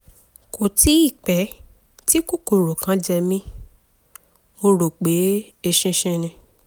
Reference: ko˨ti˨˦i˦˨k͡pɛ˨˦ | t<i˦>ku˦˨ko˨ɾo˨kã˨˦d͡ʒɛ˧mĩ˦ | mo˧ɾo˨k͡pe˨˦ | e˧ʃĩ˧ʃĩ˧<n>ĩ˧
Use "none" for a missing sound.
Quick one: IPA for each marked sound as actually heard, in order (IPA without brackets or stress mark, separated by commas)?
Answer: i˦, n